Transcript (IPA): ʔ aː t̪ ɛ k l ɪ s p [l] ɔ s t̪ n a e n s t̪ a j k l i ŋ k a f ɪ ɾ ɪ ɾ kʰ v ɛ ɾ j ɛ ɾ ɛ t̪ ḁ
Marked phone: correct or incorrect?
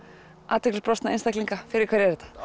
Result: incorrect